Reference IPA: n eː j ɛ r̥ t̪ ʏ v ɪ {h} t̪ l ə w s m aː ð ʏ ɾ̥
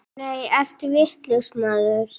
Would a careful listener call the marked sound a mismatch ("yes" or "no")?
no